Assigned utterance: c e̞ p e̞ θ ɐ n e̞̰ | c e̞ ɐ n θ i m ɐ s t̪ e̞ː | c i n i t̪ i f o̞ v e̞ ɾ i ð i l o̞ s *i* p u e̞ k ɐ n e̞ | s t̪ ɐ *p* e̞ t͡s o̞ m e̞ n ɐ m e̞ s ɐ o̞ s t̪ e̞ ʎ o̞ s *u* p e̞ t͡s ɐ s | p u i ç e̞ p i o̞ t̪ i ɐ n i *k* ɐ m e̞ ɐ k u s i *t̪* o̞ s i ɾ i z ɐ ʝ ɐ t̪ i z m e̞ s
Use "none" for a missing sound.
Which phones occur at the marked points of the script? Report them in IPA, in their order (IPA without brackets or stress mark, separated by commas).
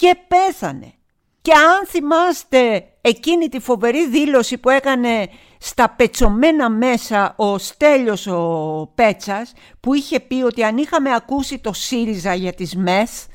i, p, o, x, t̪